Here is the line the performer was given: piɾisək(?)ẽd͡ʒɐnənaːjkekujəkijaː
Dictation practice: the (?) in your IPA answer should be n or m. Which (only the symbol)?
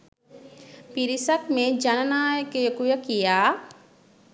m